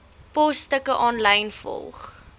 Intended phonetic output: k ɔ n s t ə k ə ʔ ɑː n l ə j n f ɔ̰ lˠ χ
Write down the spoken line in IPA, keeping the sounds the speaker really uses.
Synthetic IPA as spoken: p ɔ s t ə k ə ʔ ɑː n l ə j n f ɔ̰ lˠ χ